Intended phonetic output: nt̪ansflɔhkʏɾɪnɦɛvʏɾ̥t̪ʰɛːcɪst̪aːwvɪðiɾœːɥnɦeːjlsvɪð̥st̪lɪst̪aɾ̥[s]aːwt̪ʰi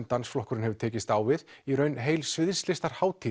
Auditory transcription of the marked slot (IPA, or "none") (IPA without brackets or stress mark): h